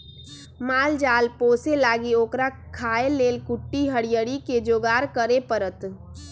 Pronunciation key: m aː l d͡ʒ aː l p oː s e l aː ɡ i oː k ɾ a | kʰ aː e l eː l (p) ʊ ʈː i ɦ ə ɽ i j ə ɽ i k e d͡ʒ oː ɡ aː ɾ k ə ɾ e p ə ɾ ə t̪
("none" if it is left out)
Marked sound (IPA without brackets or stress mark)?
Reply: k